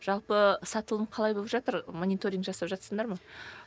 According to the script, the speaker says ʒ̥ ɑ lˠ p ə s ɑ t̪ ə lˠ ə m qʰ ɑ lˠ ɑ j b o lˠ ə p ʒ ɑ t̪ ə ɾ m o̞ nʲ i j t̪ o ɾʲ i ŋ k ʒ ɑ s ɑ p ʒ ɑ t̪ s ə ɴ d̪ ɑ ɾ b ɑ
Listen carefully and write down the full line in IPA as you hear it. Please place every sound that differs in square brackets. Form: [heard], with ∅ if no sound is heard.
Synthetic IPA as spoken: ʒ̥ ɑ lˠ p ə s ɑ t̪ ə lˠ ə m qʰ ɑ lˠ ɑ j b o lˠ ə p ʒ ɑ t̪ ə ɾ m o̞ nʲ i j t̪ o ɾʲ i ŋ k ʒ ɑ s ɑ p ʒ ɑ t̪ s ə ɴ d̪ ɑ ɾ [m] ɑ